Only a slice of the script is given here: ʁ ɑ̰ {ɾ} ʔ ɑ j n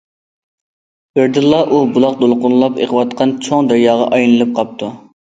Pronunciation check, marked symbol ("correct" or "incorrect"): incorrect